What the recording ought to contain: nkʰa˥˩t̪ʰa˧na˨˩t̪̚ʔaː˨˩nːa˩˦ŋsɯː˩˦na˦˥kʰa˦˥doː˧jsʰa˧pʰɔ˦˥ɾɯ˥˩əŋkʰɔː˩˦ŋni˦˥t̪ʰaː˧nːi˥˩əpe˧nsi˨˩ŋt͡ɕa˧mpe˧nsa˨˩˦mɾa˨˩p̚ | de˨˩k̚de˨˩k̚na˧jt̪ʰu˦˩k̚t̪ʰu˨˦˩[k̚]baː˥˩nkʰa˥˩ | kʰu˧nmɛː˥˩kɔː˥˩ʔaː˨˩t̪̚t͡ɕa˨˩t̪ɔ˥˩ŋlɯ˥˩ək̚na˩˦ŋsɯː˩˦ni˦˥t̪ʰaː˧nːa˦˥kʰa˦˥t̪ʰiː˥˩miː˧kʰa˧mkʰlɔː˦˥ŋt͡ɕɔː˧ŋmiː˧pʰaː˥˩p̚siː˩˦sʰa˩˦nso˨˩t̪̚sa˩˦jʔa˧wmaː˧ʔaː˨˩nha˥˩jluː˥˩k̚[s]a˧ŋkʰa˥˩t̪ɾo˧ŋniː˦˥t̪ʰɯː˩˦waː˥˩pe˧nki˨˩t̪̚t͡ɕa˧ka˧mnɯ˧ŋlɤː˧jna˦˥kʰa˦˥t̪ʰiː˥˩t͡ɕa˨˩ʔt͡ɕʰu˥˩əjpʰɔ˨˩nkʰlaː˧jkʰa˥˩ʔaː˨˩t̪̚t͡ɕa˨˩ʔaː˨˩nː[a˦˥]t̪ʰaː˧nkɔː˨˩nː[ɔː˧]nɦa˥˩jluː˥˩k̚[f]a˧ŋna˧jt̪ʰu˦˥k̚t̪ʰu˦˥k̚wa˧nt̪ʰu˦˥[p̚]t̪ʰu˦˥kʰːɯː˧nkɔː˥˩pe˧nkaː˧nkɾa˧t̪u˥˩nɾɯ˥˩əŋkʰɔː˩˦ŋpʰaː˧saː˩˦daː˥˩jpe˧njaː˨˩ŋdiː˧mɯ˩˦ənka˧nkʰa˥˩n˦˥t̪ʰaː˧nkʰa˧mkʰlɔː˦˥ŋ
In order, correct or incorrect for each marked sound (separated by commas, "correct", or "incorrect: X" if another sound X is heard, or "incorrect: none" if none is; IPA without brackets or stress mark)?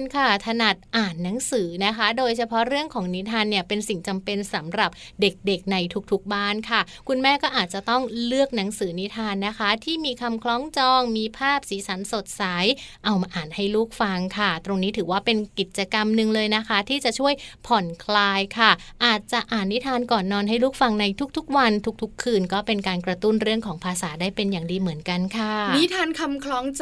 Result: correct, incorrect: f, incorrect: i˦˥, correct, correct, incorrect: k̚